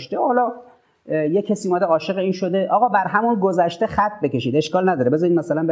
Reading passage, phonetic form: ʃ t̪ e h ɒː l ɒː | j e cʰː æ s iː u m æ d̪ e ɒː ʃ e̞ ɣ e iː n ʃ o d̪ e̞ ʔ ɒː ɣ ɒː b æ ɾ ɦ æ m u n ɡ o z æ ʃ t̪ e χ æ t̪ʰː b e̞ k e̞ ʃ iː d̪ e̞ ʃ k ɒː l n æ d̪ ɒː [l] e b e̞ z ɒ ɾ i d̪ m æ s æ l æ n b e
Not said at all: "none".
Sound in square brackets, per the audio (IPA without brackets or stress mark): ɾ